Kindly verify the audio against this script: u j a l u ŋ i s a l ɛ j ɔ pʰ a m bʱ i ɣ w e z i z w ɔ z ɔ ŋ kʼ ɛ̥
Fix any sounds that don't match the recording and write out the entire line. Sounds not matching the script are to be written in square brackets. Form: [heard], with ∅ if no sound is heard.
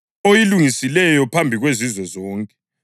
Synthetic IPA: [o] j [i] l u ŋ i s [i] l ɛ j ɔ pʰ a m bʱ i ɣ w e z i z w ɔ z [ɔː] ŋ kʼ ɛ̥